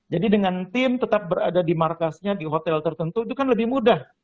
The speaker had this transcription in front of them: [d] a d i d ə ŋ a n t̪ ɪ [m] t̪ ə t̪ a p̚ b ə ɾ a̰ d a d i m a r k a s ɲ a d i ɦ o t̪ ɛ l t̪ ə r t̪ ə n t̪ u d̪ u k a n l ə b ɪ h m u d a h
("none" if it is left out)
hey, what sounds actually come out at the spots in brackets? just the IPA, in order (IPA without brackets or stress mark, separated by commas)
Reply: d͡ʒ, m